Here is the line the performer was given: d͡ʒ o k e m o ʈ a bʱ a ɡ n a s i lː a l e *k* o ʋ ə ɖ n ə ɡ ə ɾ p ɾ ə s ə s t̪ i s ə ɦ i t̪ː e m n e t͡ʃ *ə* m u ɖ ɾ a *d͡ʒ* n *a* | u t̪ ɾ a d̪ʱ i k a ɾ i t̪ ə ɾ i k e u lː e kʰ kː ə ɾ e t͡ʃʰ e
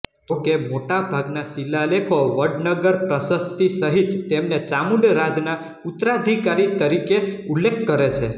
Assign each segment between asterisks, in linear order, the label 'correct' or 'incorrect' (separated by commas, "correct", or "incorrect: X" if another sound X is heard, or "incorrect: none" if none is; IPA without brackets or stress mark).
incorrect: kʰ, incorrect: a, correct, correct